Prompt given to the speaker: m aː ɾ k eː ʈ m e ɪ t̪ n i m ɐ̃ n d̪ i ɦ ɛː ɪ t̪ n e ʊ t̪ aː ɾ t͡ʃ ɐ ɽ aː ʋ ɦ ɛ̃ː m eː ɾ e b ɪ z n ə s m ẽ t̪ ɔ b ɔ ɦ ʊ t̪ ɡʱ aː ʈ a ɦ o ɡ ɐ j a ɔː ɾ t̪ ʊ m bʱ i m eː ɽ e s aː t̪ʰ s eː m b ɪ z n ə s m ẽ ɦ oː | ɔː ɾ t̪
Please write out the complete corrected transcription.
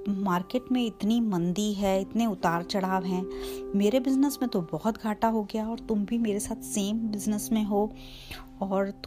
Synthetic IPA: m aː ɾ k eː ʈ m ẽ ɪ t̪ n i m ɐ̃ n d̪ i ɦ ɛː ɪ t̪ n e ʊ t̪ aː ɾ t͡ʃ ɐ ɽ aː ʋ ɦ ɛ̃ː m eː ɾ e b ɪ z n ə s m ẽ t̪ o b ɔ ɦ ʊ t̪ ɡʱ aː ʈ a ɦ o ɡ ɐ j a ɔː ɾ t̪ ʊ m bʱ i m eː ɾ e s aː t̪ʰ s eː m b ɪ z n ə s m ẽ ɦ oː | ɔː ɾ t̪